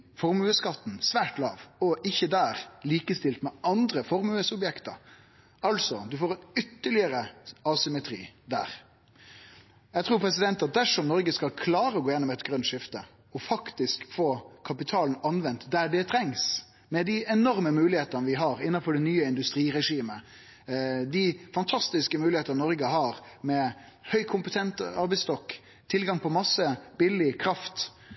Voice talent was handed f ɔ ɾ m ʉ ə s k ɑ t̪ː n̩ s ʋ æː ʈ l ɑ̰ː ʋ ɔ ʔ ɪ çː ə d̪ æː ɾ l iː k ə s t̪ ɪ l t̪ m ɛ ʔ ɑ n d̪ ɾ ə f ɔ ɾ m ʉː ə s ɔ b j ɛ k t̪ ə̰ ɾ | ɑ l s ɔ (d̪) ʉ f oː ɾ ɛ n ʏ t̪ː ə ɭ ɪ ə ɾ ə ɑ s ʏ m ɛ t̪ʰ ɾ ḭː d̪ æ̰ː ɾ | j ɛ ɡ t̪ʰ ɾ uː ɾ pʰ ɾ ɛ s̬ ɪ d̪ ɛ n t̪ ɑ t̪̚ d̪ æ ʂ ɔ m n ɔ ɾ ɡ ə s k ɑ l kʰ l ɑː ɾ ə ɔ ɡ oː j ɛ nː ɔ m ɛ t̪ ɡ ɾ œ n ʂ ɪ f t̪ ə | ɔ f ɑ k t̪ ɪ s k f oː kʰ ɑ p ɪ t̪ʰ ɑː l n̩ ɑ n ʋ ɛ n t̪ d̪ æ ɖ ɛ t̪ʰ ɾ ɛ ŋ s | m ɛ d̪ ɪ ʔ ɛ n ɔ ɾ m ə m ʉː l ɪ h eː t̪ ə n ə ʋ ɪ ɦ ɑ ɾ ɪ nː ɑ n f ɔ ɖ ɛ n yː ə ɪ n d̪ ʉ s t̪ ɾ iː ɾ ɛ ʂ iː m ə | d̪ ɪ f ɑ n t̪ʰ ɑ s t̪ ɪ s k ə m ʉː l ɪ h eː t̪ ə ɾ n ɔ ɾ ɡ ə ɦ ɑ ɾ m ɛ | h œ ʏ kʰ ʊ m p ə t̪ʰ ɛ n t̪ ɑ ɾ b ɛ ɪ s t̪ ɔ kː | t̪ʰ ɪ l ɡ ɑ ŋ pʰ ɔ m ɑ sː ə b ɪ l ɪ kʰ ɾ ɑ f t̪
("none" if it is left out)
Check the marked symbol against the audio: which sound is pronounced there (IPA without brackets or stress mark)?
d̪